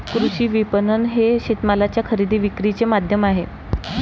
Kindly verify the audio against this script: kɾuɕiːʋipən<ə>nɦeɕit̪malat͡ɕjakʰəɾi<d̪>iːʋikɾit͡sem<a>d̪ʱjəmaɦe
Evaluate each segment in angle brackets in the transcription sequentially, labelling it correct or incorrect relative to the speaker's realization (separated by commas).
correct, correct, correct